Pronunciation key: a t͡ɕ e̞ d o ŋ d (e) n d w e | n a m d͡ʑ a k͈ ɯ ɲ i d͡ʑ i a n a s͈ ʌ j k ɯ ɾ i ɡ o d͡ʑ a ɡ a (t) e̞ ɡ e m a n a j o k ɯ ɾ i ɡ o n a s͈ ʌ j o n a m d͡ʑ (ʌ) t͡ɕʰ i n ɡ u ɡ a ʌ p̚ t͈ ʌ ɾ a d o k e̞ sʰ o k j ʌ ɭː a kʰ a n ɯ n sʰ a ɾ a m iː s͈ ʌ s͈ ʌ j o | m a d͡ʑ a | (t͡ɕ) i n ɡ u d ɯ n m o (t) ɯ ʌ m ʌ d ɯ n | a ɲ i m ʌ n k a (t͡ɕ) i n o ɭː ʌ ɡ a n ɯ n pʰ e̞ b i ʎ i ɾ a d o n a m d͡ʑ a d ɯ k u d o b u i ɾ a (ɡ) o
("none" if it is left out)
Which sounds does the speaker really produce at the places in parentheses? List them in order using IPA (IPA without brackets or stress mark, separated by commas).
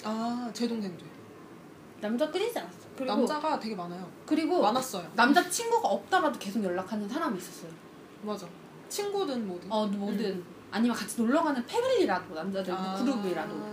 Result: e, t, a, t͡ɕʰ, d, t͡ɕʰ, d